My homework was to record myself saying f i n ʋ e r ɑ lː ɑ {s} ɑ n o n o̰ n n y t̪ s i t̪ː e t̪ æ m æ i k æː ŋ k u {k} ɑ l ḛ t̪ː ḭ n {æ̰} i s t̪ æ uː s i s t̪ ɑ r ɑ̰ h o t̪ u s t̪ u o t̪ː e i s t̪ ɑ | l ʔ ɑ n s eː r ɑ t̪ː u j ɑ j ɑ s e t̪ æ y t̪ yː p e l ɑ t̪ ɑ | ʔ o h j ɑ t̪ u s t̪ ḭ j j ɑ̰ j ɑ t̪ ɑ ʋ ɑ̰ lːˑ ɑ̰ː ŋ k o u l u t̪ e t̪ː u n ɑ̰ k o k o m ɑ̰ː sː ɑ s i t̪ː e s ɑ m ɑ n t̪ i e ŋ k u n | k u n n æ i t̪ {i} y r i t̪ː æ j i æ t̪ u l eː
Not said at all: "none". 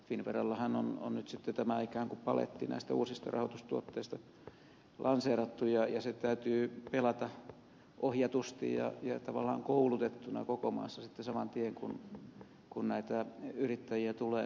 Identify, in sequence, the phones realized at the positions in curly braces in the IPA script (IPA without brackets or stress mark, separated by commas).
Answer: h, p, æ̰, æ